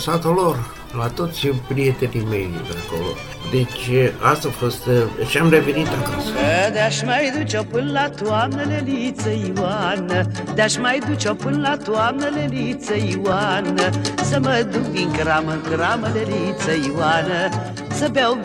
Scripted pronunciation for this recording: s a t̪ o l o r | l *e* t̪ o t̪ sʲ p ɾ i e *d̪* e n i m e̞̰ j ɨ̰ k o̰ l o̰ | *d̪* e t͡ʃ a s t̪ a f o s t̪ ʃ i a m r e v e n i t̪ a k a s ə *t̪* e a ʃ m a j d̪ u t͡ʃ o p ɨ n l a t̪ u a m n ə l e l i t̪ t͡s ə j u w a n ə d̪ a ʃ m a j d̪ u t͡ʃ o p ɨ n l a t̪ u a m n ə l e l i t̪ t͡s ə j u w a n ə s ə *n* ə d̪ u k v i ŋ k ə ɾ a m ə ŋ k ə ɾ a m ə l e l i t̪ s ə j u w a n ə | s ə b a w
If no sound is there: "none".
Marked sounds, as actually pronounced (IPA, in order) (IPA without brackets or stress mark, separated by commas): a, t̪, d̪, d̪, m